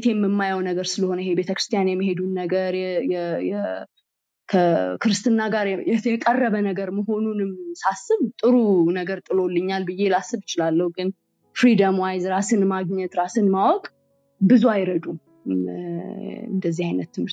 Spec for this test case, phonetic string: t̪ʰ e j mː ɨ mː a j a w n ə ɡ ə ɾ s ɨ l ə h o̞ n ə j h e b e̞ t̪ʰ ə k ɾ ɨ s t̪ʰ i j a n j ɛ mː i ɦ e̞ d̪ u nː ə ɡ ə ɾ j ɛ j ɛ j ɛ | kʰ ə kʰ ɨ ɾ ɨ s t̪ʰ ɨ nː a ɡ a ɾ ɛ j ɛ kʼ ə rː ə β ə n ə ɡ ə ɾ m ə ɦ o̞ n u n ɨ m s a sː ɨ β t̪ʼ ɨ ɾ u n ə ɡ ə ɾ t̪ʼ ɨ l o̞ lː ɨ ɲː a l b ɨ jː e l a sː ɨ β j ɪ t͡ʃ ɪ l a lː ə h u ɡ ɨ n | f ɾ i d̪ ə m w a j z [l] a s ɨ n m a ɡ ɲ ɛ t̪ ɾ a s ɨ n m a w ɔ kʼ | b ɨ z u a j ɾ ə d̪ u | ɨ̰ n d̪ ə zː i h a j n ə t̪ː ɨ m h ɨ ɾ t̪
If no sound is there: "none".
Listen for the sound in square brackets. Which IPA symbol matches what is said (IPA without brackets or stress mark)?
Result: ɾ